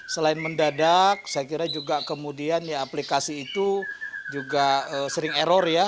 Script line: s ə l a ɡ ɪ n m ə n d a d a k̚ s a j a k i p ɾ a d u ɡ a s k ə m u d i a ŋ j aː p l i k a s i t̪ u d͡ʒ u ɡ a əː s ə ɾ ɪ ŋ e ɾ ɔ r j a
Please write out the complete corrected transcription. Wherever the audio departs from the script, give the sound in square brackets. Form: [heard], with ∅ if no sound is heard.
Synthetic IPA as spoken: s ə l a [∅] ɪ n m ə n d a d a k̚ s a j a k i [∅] ɾ a [d͡ʒ] u ɡ a [∅] k ə m u d i a [n] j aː p l i k a s [iː] t̪ u d͡ʒ u ɡ a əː s ə ɾ ɪ ŋ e ɾ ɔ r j a